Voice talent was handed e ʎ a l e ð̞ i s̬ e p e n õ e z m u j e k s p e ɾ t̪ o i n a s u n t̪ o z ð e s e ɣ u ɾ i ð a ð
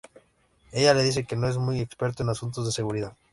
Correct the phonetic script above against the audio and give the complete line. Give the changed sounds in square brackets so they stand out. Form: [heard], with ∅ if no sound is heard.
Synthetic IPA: e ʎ a l e ð̞ i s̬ e [k] e n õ e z m u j e k s p e ɾ t̪ o [e] n a s u n t̪ o z ð e s e ɣ u ɾ i ð a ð